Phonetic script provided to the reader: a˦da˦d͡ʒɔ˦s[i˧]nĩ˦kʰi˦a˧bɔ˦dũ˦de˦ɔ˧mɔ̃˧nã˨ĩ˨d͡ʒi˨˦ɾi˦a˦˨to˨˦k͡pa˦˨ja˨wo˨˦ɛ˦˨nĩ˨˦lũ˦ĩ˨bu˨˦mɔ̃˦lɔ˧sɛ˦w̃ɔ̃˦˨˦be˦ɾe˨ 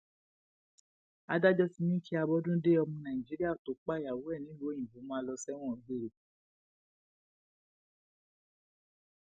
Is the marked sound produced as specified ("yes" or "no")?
yes